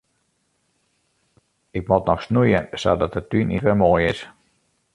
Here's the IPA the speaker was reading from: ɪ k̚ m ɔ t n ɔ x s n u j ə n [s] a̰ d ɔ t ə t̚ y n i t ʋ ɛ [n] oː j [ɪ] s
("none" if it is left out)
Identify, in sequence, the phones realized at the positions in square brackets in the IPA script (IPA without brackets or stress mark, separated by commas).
s, m, ɪ